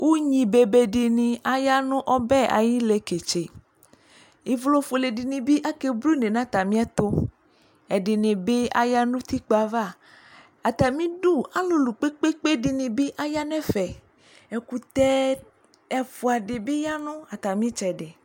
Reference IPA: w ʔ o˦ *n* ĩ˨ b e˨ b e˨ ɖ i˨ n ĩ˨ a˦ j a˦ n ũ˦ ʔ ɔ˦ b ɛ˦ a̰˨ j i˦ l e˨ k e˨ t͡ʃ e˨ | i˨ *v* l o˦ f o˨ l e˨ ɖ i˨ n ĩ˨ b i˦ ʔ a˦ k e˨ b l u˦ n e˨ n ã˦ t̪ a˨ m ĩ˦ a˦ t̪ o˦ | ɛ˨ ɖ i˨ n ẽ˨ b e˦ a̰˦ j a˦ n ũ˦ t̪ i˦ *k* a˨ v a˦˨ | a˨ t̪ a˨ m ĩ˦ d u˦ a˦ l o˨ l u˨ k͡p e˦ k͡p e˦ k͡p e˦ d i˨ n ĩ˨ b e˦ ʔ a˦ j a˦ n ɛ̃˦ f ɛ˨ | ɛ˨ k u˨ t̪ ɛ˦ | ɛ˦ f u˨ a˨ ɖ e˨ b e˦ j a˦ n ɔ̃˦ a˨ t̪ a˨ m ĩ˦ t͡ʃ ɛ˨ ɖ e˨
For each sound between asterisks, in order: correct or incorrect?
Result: incorrect, correct, incorrect

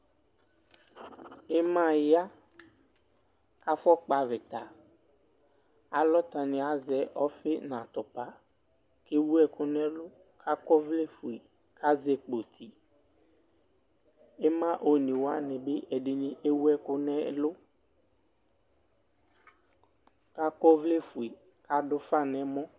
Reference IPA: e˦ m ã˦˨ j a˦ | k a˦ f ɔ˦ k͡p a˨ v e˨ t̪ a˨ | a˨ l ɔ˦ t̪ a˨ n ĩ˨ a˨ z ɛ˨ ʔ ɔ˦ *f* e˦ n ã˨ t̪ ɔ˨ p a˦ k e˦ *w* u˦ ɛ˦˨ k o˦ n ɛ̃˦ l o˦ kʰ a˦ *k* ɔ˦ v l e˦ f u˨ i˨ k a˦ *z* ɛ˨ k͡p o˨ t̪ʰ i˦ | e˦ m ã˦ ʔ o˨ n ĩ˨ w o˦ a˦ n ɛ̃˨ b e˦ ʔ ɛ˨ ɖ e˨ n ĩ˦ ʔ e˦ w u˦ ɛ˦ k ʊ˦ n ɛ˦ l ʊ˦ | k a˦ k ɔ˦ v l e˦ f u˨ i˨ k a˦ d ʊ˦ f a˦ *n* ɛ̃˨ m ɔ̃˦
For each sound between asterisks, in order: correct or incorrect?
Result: correct, correct, correct, correct, correct

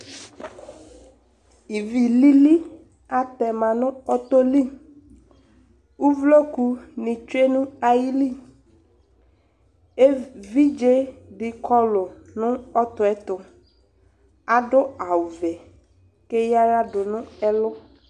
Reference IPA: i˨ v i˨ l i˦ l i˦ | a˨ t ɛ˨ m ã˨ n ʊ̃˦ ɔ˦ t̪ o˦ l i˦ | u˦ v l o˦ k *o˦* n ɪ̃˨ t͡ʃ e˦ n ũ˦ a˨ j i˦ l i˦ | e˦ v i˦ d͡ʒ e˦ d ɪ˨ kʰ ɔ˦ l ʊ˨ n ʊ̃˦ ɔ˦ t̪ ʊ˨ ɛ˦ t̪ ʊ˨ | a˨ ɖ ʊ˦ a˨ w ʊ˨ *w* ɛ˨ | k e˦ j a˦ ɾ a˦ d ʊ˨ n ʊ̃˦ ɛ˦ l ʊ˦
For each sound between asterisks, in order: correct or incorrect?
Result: incorrect, incorrect

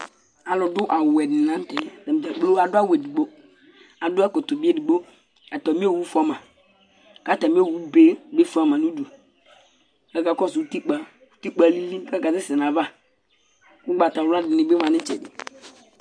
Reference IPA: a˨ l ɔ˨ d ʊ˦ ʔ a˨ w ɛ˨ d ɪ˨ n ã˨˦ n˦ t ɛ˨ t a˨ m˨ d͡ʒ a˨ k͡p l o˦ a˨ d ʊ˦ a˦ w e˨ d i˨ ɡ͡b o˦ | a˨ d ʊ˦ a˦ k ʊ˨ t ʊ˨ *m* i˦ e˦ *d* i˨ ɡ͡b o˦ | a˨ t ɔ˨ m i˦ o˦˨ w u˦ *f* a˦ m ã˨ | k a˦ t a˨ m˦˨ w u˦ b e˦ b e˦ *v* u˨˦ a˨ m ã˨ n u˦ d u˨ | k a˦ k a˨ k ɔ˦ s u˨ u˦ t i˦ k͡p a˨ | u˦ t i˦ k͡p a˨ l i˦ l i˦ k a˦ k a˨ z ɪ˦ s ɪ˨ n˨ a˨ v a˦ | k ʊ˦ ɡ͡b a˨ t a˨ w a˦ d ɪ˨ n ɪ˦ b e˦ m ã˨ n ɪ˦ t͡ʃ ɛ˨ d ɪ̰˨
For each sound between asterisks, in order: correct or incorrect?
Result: incorrect, correct, correct, incorrect

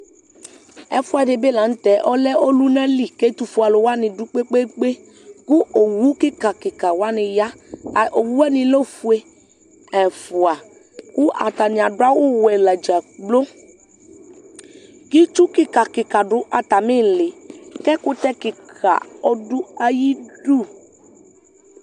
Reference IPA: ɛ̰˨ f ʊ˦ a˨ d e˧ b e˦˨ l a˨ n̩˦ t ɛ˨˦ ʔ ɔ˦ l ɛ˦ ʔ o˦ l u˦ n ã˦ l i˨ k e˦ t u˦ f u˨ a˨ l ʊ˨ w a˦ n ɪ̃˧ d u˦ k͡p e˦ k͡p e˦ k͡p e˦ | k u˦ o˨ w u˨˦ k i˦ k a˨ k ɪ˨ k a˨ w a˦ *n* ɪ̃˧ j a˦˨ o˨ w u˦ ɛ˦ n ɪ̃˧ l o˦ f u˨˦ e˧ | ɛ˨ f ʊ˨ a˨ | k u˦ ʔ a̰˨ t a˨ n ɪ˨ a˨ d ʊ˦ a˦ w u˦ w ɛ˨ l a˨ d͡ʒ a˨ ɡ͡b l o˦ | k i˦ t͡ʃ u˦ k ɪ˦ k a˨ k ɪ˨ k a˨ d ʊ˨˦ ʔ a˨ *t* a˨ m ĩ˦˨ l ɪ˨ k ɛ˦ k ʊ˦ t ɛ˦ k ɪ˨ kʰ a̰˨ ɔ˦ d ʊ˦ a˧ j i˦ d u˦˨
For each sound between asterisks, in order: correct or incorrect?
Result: correct, correct

